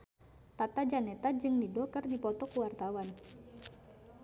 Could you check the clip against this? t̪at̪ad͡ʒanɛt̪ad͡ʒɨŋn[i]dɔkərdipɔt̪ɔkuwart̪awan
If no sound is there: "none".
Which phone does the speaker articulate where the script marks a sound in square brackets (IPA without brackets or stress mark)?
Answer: i